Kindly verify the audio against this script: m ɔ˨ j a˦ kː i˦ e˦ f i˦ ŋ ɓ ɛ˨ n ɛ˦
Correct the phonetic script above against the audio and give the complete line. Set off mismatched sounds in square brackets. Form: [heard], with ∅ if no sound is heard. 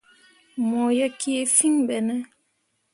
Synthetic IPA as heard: m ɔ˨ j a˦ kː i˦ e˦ f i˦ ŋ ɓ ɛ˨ n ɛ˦